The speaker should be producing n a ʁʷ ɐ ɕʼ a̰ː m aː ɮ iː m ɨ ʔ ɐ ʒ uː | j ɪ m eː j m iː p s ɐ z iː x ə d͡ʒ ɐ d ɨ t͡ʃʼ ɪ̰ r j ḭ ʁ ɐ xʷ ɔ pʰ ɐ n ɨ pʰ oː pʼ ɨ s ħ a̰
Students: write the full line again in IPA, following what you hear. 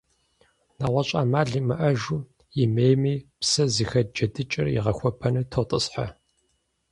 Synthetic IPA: n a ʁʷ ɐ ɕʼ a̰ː m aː ɮ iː m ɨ ʔ ɐ ʒ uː | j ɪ m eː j m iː p s ɐ z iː x ɐ d͡ʒ ɐ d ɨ t͡ʃʼ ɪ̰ r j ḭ ʁ ɐ xʷ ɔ pʰ ɐ n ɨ tʰ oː tʼ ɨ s ħ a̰

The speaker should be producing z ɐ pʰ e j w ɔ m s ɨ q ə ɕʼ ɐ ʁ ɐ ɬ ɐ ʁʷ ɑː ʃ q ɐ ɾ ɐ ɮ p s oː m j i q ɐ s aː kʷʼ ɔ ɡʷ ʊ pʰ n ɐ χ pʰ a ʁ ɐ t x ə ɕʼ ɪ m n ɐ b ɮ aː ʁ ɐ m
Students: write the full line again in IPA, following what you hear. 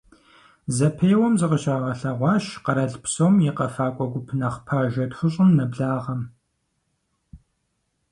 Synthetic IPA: z ɐ pʰ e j w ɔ m z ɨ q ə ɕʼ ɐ ʁ ɐ ɬ ɐ ʁʷ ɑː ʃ q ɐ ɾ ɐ ɮ p s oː m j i q ɐ f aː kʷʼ ɔ ɡʷ ʊ pʰ n ɐ χ pʰ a ʒ ɐ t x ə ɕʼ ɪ m n ɐ b ɮ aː ʁ ɐ m

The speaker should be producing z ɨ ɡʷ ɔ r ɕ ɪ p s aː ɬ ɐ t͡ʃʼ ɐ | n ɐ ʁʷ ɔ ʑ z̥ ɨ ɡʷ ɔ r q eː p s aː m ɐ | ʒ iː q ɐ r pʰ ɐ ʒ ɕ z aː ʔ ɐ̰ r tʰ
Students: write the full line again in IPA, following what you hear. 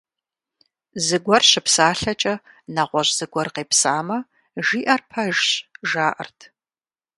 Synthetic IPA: z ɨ ɡʷ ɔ r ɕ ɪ p s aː ɬ ɐ t͡ʃʼ ɐ | n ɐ ʁʷ ɔ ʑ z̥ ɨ ɡʷ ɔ r q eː p s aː m ɐ | ʒ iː ʔ ɐ r pʰ ɐ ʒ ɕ ʒ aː ʔ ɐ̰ r tʰ

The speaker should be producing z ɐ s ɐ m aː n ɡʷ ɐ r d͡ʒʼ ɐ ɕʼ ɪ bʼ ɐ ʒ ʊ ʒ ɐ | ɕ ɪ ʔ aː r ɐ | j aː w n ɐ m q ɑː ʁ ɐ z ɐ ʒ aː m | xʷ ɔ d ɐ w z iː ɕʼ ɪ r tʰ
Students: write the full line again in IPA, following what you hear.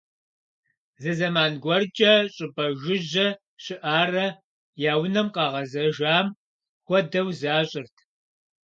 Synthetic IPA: z ɐ z ɐ m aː n ɡʷ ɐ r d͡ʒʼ ɐ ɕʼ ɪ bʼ ɐ ʒ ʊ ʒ ɐ | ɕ ɪ ʔ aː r ɐ | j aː w n ɐ m q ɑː ʁ ɐ z ɐ ʒ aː m | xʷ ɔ d ɐ w z aː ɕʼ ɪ r tʰ

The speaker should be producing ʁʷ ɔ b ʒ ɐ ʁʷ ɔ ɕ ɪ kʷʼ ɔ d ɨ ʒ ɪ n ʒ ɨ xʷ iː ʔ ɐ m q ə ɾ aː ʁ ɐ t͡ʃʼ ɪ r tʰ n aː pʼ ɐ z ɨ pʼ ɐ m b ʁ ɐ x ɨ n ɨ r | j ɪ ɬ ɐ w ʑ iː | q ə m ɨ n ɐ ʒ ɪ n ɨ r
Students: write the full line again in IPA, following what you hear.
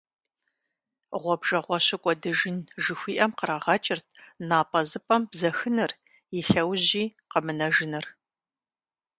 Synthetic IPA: ʁʷ ɔ b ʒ ɐ ʁʷ ɔ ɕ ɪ kʷʼ ɔ d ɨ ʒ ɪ n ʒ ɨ xʷ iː ʔ ɐ m q ə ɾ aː ʁ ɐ t͡ʃʼ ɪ r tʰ n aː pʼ ɐ z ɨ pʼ ɐ m b z ɐ x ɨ n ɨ r | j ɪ ɬ ɐ w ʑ iː | q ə m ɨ n ɐ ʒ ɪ n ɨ r

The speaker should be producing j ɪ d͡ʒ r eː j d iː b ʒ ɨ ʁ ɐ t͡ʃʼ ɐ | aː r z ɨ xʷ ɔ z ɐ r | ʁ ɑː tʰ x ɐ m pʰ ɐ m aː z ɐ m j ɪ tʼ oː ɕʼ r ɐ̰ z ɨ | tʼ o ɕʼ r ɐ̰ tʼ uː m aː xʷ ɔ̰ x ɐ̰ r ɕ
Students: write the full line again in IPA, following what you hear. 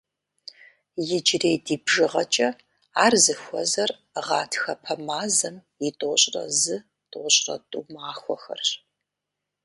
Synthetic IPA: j ɪ d͡ʒ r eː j d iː b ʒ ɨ ʁ ɐ t͡ʃʼ ɐ | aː r z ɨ xʷ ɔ z ɐ r | ʁ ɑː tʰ x ɐ pʰ ɐ m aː z ɐ m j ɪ tʼ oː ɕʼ r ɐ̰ z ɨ | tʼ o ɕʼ r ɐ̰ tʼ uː m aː xʷ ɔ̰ x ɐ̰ r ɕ

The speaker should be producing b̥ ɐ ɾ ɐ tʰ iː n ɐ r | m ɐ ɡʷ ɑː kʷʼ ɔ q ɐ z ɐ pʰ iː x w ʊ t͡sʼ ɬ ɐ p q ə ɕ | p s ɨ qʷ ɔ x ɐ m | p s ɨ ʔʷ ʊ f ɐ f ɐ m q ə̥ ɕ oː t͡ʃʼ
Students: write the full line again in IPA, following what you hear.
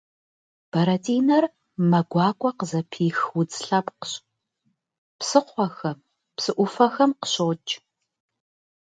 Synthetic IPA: b̥ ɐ ɾ ɐ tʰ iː n ɐ r | m ɐ ɡʷ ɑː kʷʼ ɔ q ə z ɐ pʰ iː x w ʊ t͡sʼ ɬ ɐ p q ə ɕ | p s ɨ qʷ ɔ x ɐ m | p s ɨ ʔʷ ʊ f ɐ x ɐ m q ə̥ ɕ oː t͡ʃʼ

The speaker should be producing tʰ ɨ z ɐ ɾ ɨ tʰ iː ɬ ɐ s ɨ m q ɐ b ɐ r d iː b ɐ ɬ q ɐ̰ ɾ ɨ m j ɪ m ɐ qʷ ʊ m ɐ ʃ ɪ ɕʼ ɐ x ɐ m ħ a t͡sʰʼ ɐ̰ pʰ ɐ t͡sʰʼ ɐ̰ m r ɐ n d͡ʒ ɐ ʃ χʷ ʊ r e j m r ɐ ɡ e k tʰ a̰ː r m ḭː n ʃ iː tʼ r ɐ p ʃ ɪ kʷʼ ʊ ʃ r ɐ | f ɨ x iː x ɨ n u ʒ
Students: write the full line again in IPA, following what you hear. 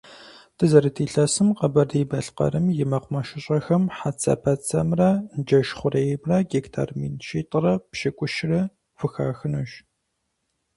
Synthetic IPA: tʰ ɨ z ɐ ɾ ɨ tʰ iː ɬ ɐ s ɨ m q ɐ b ɐ r d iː b ɐ ɬ q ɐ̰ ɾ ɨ m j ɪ m ɐ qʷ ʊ m ɐ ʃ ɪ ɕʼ ɐ x ɐ m ħ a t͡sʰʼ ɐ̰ pʰ ɐ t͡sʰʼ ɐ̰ m r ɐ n d͡ʒ ɐ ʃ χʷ ʊ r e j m r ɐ ɡ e k tʰ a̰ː r m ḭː n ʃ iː tʼ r ɐ p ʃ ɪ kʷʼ ʊ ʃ r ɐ | f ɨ x aː x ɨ n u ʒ

